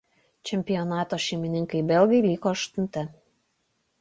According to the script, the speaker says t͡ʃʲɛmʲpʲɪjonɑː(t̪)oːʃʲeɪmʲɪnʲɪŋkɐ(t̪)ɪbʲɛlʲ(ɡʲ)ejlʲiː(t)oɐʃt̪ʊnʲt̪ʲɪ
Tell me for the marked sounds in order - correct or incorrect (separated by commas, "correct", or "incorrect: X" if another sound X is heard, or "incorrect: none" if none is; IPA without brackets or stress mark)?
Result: correct, incorrect: none, correct, incorrect: k